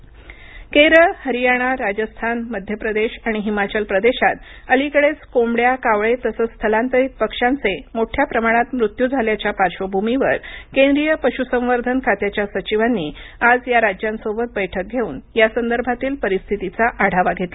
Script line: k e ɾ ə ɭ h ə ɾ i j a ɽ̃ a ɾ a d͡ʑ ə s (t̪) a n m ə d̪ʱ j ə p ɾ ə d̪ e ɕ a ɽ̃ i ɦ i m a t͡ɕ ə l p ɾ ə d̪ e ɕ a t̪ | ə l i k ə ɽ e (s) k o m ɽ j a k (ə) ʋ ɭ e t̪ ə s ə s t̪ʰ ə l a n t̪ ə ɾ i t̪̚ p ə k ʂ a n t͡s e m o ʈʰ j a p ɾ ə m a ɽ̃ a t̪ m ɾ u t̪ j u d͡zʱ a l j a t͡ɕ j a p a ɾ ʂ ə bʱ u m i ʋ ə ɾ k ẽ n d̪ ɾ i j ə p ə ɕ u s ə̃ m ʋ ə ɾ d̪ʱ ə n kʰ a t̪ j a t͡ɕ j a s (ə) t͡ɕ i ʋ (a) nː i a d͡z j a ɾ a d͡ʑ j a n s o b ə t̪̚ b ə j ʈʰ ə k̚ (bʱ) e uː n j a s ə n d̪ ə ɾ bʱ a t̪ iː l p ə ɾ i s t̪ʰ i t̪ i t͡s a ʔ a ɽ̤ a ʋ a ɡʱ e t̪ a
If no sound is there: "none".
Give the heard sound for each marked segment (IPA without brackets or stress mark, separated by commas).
t̪ʰ, t͡s, a, ə, a, ɡʱ